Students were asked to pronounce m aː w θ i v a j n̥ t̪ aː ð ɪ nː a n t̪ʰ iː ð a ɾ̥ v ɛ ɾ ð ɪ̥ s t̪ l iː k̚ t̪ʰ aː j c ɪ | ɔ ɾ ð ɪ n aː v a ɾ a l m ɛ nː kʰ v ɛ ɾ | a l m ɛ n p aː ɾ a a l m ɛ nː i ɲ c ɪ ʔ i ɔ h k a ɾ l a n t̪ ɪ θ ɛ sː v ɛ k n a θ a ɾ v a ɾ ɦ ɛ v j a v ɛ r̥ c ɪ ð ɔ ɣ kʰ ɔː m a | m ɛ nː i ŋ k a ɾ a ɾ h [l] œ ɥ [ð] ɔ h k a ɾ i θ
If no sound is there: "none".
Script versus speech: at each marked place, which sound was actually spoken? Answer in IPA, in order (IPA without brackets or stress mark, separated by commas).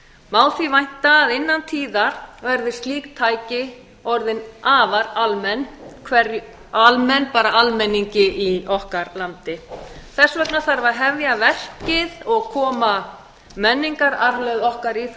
l, ð